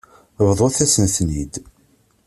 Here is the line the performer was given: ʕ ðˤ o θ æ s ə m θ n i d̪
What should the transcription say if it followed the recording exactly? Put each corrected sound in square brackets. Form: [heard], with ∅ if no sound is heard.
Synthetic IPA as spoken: [v] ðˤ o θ æ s ə [n] θ n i d̪